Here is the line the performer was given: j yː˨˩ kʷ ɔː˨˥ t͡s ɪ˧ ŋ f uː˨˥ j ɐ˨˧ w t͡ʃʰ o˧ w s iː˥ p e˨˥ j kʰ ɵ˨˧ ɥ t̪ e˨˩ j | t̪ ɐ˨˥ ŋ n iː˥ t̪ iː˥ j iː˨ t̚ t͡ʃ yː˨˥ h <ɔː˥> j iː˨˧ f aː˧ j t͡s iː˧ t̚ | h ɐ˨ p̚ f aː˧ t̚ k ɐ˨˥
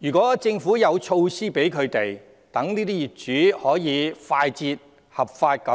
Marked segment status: incorrect: ɔː˨˥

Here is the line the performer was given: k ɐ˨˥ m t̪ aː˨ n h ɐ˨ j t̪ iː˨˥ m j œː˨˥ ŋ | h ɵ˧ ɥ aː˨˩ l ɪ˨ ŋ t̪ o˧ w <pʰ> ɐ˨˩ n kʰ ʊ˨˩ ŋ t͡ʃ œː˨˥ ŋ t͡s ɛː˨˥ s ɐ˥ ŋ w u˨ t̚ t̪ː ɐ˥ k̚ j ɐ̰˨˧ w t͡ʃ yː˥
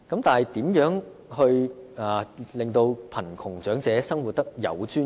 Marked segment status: correct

